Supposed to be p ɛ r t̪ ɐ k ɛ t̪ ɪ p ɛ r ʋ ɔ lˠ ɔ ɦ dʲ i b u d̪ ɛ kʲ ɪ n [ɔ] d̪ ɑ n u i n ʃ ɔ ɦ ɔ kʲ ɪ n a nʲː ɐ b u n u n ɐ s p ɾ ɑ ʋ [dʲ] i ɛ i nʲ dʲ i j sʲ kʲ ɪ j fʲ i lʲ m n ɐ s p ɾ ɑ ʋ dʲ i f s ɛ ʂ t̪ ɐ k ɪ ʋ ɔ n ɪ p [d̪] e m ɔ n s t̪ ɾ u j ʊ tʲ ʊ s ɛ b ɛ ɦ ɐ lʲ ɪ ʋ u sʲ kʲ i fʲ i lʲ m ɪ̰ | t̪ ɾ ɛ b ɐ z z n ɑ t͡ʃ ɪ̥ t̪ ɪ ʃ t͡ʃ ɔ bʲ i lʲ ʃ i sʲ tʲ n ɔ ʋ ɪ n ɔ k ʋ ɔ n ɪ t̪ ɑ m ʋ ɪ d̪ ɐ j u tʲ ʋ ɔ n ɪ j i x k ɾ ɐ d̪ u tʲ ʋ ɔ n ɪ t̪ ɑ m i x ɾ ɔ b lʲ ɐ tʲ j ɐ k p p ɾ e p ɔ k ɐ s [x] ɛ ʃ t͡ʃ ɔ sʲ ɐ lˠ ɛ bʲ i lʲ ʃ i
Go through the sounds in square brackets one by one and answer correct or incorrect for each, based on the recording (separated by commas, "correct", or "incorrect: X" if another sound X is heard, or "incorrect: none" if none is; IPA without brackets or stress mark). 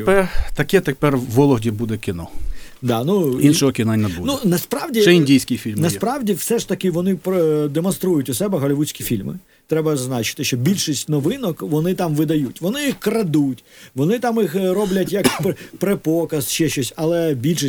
correct, correct, correct, incorrect: ʃ